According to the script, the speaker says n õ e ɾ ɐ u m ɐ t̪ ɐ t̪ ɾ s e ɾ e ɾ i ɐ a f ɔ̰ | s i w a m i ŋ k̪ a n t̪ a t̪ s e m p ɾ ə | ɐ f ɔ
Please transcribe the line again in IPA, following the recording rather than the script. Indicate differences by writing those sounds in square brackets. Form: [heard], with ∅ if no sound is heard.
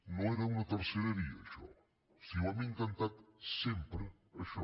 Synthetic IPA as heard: n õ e ɾ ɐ u [n] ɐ t̪ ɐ [∅] ɾ s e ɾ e ɾ i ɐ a [ʃ] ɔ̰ | s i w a m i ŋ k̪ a n t̪ a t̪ s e m p ɾ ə | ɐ [ʃ] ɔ